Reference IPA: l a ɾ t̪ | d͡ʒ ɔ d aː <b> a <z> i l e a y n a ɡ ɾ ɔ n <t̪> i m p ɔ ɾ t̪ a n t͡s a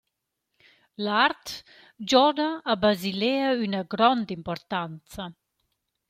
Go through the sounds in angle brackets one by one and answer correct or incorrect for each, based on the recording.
correct, correct, incorrect: d̪

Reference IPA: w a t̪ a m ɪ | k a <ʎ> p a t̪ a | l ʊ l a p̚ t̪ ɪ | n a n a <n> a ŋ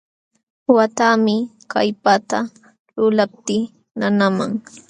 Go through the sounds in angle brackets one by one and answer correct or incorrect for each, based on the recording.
incorrect: j, incorrect: m

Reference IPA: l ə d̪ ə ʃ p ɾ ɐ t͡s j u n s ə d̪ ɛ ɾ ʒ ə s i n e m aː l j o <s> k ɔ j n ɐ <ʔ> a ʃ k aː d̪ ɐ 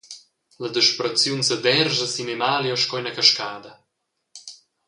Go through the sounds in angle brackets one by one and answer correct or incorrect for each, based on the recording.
incorrect: ʃ, incorrect: k

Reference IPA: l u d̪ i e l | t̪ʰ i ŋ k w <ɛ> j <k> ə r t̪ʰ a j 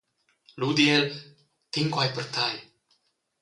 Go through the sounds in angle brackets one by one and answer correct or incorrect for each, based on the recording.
incorrect: a, incorrect: p

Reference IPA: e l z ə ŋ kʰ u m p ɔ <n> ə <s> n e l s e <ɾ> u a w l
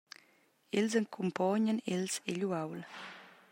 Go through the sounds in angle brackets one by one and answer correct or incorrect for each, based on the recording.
incorrect: ɲ, incorrect: none, incorrect: ʎ

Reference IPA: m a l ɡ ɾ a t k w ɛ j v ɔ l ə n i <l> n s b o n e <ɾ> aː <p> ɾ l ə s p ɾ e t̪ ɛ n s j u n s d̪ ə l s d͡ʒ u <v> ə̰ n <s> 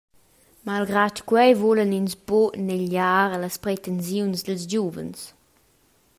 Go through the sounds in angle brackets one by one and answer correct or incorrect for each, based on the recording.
incorrect: none, incorrect: ʎ, incorrect: none, correct, correct

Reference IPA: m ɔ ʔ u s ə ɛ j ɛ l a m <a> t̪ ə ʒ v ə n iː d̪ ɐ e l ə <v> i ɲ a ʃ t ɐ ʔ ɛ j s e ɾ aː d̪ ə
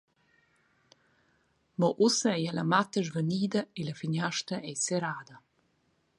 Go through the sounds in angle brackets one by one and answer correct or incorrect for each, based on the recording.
correct, incorrect: f

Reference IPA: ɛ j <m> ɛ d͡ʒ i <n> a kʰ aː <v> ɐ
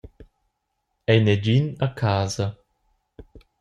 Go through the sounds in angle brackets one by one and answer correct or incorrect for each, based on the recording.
incorrect: n, correct, incorrect: z

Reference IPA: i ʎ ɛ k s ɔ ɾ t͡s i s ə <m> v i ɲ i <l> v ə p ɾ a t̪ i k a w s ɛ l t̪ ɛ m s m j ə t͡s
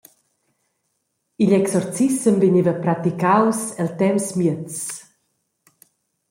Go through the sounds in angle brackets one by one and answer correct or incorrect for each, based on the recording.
correct, incorrect: none

